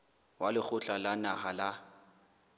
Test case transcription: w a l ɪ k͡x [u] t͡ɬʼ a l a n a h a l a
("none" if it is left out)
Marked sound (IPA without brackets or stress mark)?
ʊ